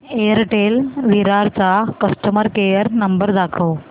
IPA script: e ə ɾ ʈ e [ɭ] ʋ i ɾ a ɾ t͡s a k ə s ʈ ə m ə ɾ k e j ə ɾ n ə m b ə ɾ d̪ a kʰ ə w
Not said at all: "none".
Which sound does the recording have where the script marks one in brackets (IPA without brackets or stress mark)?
l